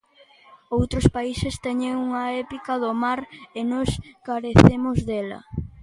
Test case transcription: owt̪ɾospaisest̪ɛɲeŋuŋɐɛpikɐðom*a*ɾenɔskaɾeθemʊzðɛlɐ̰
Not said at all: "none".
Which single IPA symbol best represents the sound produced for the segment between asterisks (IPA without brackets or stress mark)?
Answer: a